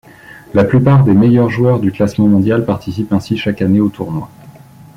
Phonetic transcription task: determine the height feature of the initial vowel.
low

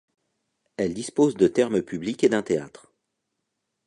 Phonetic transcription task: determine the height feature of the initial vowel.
mid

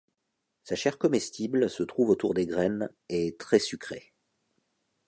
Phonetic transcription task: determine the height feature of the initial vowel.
low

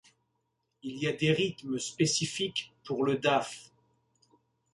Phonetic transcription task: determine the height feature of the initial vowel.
high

